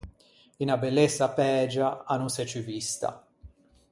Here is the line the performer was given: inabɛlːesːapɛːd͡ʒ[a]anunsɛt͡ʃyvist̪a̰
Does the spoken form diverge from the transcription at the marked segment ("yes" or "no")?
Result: no